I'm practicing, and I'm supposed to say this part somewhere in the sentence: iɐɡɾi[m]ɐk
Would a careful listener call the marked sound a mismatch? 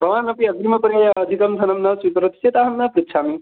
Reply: no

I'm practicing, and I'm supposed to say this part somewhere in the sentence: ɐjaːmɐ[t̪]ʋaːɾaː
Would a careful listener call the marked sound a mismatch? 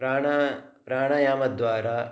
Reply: yes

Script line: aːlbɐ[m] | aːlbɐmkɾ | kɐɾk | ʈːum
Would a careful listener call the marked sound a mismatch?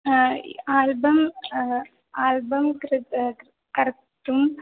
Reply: no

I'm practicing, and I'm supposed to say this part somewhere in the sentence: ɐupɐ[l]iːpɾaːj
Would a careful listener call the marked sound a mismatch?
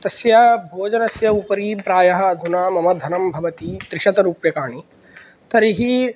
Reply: yes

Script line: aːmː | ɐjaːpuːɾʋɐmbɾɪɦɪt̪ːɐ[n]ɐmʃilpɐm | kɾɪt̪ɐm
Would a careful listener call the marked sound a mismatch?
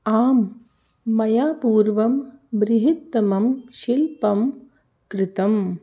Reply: yes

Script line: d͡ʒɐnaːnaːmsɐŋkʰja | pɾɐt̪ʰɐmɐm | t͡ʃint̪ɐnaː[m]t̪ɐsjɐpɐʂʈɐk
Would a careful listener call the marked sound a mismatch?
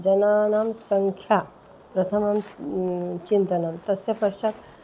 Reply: no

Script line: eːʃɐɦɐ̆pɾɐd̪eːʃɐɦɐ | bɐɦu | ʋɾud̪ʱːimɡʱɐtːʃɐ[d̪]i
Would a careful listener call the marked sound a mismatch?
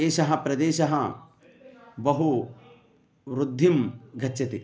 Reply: yes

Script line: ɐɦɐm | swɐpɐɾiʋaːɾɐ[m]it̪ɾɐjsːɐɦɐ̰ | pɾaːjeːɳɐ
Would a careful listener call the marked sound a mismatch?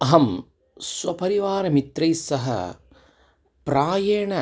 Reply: no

